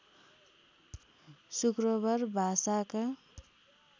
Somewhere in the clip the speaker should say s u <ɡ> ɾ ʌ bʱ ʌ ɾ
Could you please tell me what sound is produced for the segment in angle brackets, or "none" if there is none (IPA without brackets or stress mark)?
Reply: k